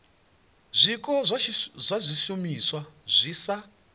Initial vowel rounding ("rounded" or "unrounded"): unrounded